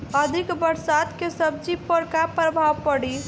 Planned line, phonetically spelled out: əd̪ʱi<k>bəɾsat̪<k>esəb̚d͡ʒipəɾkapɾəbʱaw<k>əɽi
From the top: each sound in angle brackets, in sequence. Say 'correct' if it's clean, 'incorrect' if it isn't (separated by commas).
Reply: correct, correct, incorrect